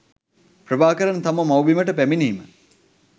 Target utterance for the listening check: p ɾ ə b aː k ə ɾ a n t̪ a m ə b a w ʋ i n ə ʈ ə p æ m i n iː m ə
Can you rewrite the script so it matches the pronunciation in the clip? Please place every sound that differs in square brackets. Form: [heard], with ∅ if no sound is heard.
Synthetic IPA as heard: p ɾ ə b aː k ə ɾ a n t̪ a m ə [m] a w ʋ i [m] ə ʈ ə p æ m i n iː m ə